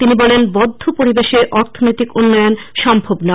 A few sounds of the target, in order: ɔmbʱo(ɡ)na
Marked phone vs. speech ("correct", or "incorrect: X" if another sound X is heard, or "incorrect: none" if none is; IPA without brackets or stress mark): incorrect: b